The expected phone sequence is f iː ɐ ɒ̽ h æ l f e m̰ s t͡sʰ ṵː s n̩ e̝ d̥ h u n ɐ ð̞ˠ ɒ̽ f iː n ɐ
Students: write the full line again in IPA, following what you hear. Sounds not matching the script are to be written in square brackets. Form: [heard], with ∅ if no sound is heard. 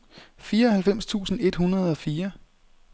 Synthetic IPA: f iː ɐ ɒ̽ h æ l f e m̰ s t͡sʰ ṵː s n̩ e̝ d̥ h u n ɐ ð̞ˠ ɒ̽ f iː [∅] ɐ

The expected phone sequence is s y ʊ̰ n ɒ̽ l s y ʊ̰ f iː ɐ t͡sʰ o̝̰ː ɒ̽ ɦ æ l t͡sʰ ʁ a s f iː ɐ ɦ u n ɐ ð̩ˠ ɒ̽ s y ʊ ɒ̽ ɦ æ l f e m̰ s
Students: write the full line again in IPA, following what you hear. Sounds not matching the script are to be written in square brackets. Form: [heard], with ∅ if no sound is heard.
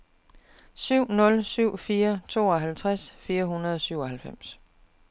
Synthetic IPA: s y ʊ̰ n [ɔ̽] l s y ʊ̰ f iː ɐ t͡sʰ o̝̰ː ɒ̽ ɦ æ l t͡sʰ ʁ a s f iː ɐ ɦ u n ɐ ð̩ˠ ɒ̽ s y ʊ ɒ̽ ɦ æ l f e m̰ s

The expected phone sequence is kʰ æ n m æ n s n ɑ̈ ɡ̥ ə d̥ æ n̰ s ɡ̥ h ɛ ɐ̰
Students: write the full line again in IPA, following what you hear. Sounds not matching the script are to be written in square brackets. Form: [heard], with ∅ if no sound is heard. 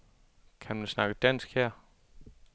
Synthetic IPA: kʰ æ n m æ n s n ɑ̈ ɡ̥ ə d̥ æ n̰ s ɡ̥ h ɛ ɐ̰

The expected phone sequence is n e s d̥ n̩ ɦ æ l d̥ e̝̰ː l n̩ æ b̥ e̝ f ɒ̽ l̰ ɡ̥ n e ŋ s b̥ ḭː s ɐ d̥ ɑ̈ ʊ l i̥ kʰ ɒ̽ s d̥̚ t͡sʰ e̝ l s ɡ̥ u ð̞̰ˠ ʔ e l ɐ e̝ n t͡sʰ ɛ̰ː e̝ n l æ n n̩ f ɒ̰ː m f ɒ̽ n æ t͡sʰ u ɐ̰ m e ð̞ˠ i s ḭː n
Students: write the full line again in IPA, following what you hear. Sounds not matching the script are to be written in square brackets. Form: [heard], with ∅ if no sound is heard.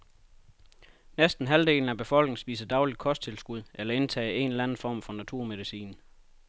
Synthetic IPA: n e s d̥ n̩ ɦ æ l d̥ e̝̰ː l n̩ æ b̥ e̝ f ɒ̽ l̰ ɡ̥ n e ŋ s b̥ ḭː s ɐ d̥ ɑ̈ ʊ l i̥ kʰ ɒ̽ s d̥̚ t͡sʰ e̝ l s ɡ̥ u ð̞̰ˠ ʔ e l ɐ e̝ n t͡sʰ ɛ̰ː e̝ n l æ n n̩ f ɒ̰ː m f ɒ̽ n æ t͡sʰ u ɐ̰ m e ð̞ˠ i s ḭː n

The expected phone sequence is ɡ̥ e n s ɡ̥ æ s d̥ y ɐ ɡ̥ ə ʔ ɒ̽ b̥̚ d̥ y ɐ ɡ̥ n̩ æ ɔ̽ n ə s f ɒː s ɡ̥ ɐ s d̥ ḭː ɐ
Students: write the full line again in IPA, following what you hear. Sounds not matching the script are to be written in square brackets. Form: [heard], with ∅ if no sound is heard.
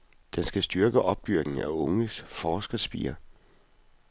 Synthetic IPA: [d̥] e n s ɡ̥ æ s d̥ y ɐ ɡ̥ ə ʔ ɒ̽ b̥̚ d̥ y ɐ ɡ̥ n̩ æ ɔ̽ [ŋ] ə s f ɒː s ɡ̥ ɐ s [b̥] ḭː ɐ

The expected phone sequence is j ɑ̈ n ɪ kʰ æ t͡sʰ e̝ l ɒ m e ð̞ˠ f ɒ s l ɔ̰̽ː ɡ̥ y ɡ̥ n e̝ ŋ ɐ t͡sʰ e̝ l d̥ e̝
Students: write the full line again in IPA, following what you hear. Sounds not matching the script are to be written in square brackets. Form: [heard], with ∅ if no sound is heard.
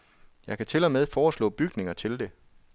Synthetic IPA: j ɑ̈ [∅] ɪ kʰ æ t͡sʰ e̝ l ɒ m e ð̞ˠ f [ɒː] s l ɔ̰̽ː [b̥] y ɡ̥ n e̝ ŋ ɐ t͡sʰ e̝ l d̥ e̝

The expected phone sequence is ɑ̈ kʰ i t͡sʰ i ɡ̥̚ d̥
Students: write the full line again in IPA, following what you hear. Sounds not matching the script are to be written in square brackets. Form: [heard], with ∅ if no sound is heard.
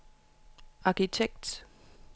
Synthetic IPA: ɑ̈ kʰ i t͡sʰ [e] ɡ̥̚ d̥

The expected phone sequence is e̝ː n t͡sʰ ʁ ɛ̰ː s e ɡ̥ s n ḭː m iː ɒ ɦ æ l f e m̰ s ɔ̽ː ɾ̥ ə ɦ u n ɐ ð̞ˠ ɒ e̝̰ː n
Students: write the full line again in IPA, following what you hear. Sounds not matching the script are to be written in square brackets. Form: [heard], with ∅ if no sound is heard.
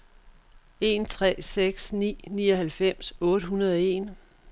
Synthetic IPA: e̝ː n t͡sʰ ʁ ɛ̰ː s e ɡ̥ s n ḭː [n] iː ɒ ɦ æ l f e m̰ s ɔ̽ː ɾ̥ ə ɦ u n ɐ ð̞ˠ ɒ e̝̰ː n

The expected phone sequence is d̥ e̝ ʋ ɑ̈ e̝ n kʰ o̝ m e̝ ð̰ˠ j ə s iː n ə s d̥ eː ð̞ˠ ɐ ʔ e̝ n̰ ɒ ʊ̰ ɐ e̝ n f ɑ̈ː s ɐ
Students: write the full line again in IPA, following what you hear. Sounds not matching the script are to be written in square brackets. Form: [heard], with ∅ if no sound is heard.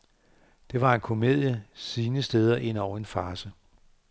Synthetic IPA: d̥ e̝ ʋ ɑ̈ e̝ n kʰ o̝ m e̝ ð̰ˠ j ə s iː n ə s d̥ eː ð̞ˠ ɐ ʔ e̝ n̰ ɒ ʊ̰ ɐ e̝ n f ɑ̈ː s [ə]

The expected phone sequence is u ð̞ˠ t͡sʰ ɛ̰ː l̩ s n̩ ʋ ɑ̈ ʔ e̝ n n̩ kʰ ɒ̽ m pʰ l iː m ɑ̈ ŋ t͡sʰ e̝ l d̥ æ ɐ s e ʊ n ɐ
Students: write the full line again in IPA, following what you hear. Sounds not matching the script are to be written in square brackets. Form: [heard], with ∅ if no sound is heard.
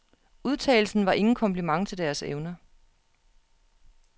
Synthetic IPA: u ð̞ˠ t͡sʰ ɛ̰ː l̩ s n̩ ʋ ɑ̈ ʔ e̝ [ŋ] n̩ kʰ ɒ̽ m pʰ l [i] m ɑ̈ ŋ t͡sʰ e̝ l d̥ æ ɐ s e ʊ n ɐ

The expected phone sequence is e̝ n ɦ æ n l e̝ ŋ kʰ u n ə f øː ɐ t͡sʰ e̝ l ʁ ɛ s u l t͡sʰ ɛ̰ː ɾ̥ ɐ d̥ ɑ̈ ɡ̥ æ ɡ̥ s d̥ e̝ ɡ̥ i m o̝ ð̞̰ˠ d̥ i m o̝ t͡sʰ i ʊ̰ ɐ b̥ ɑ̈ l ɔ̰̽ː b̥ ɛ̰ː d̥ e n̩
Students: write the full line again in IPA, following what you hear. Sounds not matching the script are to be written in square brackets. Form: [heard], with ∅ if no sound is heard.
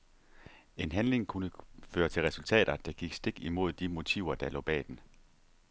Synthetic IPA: e̝ n ɦ æ n l e̝ ŋ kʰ u n ə f øː ɐ t͡sʰ e̝ l ʁ ɛ s u l t͡sʰ ɛ̰ː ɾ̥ ɐ d̥ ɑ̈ ɡ̥ [i] ɡ̥ s d̥ e̝ ɡ̥ i m o̝ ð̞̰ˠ d̥ i m o̝ t͡sʰ i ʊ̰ ɐ [d̥] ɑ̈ l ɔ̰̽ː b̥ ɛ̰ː d̥ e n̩

